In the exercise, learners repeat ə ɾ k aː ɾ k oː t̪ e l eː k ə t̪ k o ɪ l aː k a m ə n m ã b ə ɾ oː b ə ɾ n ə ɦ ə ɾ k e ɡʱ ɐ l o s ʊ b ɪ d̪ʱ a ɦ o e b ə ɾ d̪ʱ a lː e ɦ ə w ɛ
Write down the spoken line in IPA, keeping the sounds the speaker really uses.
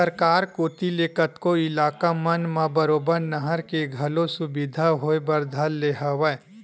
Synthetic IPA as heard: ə ɾ k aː ɾ k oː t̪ i l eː k ə t̪ k o ɪ l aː k a m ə n m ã b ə ɾ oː b ə ɾ n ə ɦ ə ɾ k e ɡʱ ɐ l o s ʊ b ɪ d̪ʱ a ɦ o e b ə ɾ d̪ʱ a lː e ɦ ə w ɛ

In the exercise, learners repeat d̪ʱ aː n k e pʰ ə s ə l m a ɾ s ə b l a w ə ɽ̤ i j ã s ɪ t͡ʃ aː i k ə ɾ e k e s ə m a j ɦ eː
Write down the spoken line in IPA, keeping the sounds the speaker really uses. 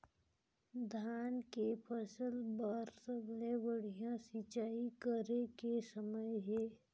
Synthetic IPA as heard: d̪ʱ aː n k e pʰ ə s ə l b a ɾ s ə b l e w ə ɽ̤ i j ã s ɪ t͡ʃ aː i k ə ɾ e k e s ə m ə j ɦ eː

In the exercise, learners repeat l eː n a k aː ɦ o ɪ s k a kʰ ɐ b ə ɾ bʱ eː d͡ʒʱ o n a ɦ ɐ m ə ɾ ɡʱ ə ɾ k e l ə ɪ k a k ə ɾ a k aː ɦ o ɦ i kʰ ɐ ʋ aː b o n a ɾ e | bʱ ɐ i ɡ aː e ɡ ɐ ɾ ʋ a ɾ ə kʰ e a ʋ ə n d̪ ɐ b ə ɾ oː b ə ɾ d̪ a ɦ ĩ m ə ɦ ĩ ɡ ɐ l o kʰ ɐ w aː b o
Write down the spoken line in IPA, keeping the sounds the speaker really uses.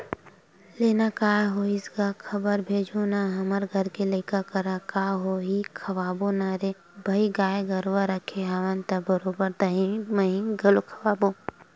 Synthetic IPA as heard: l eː n a k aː ɦ o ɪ s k a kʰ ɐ b ə ɾ bʱ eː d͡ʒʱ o n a ɦ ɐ m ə ɾ ɡʱ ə ɾ k e l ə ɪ k a k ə ɾ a k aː ɦ o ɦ i kʰ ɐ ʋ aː b o n a ɾ e | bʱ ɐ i ɡ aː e ɡ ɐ ɾ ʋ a ɾ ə kʰ e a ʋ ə n t̪ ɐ b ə ɾ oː b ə ɾ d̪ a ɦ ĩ m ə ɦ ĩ ɡ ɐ l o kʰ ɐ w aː b o

